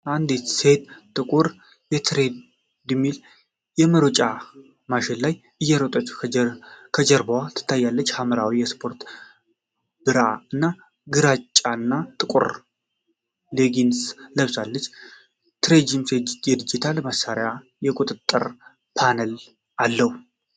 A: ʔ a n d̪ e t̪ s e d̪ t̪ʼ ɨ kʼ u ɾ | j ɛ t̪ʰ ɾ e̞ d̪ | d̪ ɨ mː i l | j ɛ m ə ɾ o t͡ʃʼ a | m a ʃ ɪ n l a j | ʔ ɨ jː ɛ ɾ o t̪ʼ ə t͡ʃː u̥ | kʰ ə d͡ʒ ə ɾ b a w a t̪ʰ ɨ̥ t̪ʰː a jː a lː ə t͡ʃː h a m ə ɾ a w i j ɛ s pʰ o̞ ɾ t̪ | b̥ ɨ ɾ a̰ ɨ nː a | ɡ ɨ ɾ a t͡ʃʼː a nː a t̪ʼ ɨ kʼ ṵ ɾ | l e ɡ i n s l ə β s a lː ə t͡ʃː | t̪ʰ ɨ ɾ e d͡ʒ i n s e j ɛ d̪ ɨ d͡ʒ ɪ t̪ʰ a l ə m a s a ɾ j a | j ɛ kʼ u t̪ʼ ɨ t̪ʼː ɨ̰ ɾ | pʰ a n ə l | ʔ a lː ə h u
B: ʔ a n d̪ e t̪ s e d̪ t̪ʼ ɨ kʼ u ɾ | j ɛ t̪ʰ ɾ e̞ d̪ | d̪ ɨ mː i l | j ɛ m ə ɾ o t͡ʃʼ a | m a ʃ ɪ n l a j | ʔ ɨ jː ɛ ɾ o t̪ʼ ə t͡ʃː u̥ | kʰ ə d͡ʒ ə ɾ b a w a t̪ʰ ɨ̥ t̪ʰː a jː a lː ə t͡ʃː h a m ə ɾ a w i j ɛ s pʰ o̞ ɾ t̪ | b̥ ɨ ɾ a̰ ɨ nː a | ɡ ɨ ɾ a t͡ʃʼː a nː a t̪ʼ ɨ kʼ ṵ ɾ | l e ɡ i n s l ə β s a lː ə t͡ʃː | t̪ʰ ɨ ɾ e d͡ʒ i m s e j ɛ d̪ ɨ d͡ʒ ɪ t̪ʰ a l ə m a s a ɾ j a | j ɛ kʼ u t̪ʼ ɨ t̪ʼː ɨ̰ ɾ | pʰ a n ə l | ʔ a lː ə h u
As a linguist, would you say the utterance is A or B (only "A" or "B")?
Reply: B